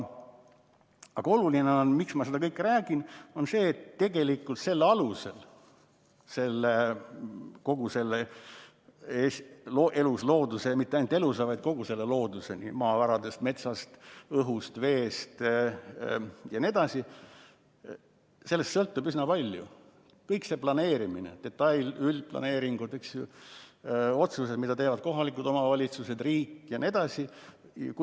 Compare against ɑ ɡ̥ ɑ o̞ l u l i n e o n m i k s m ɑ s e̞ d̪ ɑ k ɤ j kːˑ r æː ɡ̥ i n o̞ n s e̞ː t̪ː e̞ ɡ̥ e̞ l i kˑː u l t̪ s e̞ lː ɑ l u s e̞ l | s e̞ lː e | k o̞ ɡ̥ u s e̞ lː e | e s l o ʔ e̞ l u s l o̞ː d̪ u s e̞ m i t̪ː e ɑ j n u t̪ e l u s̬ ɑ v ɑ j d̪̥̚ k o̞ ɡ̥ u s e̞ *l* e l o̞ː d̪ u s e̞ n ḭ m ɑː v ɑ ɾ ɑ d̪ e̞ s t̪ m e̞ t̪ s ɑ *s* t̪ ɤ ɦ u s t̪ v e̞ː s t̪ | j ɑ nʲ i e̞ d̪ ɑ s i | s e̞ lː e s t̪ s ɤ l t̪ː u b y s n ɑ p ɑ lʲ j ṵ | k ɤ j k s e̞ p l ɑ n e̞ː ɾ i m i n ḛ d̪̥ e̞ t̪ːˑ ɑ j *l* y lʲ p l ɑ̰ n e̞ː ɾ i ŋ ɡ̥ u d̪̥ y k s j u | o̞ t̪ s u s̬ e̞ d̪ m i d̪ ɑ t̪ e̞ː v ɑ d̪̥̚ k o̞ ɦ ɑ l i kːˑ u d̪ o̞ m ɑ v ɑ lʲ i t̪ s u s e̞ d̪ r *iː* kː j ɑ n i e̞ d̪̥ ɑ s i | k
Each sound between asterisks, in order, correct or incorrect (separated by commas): incorrect, correct, correct, correct